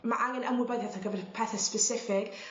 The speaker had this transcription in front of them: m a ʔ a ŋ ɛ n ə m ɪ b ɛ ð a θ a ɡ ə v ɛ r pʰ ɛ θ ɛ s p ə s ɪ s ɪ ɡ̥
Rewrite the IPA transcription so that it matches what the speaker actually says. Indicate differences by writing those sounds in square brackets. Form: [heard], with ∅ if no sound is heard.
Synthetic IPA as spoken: m a ʔ a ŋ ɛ n ə m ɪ b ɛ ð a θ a ɡ ə v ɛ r pʰ ɛ θ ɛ s p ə s ɪ [f] ɪ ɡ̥